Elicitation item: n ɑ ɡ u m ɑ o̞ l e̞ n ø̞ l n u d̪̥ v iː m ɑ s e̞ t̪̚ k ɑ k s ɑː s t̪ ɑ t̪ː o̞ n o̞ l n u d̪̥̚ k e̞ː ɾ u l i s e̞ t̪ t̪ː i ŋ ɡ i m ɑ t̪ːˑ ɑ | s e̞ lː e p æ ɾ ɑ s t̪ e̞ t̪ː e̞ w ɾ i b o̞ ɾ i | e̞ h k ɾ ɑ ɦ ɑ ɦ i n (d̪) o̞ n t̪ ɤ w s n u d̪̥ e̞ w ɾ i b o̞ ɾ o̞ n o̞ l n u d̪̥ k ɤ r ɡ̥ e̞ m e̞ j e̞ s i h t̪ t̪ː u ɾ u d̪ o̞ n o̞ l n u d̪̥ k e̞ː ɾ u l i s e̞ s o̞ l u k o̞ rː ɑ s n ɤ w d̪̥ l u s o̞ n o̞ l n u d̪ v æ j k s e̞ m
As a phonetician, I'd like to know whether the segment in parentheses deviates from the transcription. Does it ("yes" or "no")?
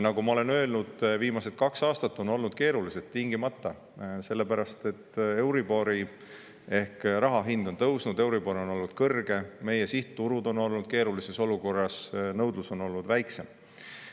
no